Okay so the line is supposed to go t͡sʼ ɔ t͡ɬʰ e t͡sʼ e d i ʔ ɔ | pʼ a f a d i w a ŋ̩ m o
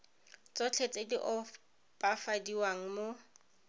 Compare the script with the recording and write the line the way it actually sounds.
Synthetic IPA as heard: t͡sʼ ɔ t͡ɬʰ e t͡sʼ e d i ʔ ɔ | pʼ a f a d i w a ŋ̩ m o